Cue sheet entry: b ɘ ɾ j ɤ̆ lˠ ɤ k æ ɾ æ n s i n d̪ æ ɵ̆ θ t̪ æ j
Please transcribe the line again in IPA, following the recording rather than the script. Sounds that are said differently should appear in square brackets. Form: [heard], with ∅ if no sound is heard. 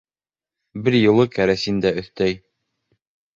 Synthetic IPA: b ɘ ɾ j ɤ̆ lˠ ɤ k æ ɾ æ [∅] s i n d̪ æ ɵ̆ θ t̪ æ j